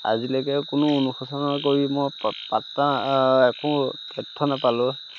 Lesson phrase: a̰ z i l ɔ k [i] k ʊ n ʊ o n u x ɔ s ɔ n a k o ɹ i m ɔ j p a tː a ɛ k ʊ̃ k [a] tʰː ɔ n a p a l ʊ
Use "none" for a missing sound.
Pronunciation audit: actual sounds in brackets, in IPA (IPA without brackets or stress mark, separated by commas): ɛ, ɛ